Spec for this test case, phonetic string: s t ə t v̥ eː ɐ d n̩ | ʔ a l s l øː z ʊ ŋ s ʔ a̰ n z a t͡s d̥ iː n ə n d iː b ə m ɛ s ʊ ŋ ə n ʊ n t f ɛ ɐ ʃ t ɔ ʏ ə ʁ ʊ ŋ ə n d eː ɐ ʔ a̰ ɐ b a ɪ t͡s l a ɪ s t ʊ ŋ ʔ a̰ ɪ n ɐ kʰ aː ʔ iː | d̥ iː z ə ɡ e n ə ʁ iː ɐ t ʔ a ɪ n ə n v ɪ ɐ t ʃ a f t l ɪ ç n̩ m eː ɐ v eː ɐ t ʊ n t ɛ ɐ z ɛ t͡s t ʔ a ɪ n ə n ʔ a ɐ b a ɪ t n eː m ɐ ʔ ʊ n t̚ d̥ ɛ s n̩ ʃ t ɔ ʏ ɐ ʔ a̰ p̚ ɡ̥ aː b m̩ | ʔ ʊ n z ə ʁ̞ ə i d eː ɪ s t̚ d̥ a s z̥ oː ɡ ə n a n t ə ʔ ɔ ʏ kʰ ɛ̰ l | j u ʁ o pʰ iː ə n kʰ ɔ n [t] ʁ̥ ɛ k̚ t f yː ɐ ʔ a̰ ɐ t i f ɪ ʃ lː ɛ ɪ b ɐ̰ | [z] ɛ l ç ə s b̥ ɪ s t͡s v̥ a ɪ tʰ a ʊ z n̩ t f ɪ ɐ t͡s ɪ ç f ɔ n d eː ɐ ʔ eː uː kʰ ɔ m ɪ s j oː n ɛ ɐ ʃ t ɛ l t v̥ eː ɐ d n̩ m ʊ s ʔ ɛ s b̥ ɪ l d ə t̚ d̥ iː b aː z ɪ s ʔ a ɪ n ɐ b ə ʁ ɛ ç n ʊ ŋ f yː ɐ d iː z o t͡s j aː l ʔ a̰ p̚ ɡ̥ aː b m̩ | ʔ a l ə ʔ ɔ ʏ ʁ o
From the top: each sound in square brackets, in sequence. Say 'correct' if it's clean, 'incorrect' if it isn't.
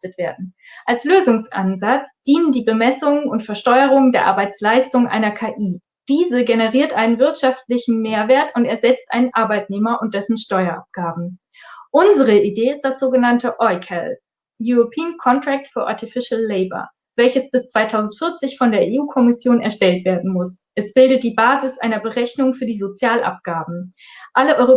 correct, incorrect: v

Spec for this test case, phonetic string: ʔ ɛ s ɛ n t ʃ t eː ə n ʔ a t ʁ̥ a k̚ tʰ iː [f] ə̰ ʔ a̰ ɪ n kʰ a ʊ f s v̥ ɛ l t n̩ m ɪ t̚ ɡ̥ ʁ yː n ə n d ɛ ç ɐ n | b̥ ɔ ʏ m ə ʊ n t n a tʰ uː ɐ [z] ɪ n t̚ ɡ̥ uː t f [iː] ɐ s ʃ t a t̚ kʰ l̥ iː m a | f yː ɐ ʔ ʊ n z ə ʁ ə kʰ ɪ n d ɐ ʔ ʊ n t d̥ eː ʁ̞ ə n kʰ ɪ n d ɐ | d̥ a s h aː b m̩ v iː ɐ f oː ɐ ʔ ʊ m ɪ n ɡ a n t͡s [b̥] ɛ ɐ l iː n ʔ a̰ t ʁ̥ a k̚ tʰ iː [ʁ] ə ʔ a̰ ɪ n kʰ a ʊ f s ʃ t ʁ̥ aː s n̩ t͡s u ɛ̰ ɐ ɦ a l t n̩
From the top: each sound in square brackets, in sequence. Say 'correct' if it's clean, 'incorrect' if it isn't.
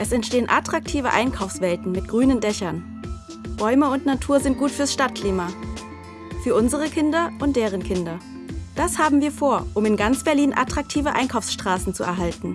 incorrect: v, correct, incorrect: yː, correct, incorrect: v

